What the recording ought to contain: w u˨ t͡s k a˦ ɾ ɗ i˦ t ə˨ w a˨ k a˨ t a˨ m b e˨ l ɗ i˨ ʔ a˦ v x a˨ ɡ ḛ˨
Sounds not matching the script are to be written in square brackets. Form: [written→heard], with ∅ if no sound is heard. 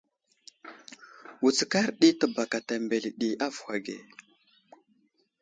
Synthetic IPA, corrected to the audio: w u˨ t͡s k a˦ ɾ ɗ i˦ t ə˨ [w→b] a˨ k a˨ t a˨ m b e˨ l ɗ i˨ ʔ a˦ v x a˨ ɡ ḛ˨